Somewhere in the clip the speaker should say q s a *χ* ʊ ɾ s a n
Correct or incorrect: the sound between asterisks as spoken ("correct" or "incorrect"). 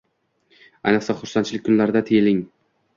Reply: correct